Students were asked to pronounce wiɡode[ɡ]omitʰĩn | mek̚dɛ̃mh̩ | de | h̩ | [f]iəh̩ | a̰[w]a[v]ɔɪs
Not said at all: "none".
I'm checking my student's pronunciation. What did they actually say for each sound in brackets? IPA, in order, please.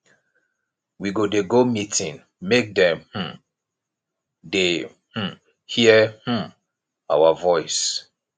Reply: ɡ, h, w, v

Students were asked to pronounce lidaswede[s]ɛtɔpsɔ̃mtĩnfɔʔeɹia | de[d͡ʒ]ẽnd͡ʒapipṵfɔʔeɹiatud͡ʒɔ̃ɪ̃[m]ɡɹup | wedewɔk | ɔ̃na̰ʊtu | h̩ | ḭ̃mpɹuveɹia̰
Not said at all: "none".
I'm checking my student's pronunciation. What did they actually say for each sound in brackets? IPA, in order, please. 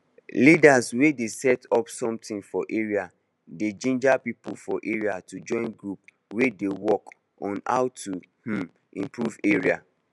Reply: s, d͡ʒ, n

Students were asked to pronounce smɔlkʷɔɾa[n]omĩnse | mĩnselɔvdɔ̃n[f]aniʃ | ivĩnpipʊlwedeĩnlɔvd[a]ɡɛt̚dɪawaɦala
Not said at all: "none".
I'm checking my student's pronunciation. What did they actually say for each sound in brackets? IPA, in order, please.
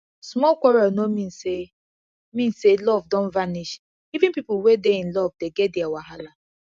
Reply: n, v, e

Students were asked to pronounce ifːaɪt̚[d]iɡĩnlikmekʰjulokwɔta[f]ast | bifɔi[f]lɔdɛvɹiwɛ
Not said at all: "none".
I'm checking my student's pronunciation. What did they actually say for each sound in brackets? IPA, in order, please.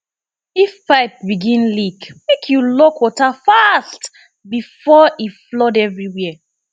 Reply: b, f, f

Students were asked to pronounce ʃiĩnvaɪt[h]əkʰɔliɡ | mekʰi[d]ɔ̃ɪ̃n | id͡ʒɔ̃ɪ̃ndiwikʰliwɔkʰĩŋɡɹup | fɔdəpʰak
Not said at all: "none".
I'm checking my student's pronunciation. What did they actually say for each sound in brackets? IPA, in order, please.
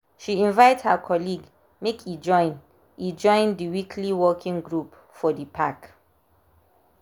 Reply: h, d͡ʒ

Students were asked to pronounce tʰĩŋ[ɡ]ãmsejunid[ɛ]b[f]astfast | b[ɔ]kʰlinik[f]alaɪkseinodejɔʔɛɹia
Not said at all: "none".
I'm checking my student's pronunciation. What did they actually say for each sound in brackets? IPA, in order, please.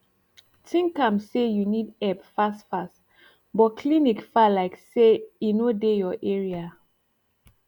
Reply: k, ɛ, f, ɔ, f

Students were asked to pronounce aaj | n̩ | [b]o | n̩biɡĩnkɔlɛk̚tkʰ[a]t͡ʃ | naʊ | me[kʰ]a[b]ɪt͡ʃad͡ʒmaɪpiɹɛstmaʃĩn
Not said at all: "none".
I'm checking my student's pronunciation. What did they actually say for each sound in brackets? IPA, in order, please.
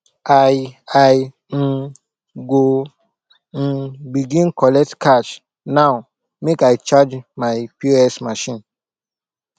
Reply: ɡ, a, k, none

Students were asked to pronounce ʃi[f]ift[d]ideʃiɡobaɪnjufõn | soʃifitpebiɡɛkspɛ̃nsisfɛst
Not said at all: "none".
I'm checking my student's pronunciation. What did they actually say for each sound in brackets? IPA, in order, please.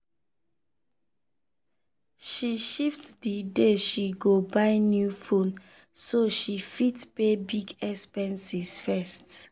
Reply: ʃ, d

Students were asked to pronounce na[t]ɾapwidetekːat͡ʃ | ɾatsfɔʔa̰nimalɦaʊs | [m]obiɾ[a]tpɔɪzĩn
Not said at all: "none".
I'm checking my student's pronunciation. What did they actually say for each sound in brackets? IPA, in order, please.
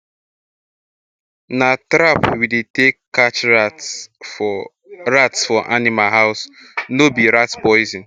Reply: t, n, a

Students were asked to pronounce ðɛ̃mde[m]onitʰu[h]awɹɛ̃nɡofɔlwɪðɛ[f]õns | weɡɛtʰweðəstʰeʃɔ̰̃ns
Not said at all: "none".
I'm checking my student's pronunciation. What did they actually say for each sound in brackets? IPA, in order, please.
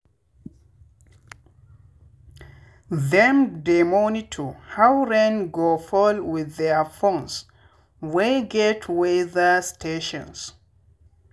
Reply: m, h, f

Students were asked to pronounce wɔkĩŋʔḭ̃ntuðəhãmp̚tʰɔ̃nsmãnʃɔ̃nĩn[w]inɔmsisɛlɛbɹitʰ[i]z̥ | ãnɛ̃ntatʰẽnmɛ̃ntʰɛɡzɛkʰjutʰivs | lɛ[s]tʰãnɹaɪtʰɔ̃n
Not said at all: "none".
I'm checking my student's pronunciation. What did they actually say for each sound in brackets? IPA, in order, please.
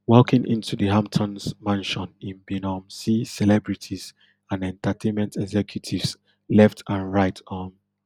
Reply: b, i, f

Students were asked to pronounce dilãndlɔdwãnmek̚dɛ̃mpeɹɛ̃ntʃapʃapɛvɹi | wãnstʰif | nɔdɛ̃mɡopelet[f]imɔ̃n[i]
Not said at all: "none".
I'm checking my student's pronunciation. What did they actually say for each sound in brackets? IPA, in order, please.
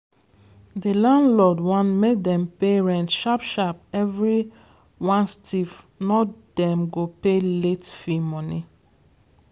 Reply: f, i

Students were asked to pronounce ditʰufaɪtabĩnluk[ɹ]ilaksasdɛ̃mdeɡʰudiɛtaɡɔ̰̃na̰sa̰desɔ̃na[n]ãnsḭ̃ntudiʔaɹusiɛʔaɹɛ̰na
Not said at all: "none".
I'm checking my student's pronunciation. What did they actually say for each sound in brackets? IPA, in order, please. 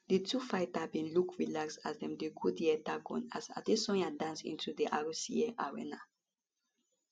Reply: ɹ, d

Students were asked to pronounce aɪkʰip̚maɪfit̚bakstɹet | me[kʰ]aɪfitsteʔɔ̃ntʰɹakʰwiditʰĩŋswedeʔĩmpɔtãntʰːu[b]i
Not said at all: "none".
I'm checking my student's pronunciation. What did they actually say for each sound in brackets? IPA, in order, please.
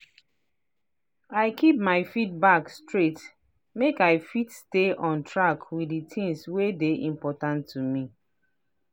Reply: k, m

